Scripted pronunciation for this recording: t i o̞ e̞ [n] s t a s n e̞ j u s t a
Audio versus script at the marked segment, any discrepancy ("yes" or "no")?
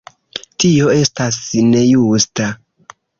yes